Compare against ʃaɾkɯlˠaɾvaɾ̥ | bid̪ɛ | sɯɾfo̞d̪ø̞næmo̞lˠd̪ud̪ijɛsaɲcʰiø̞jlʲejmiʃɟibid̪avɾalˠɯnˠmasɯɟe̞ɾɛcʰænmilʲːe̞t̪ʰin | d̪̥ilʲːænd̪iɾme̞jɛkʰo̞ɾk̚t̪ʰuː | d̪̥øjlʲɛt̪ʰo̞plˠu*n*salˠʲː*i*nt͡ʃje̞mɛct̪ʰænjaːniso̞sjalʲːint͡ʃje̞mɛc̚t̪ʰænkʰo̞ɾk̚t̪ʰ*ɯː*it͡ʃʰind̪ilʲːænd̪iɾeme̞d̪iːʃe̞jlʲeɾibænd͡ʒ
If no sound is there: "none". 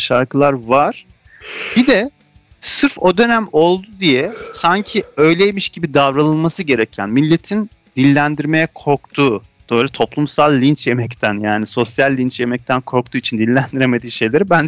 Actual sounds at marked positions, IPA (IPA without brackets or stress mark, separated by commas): m, i, uː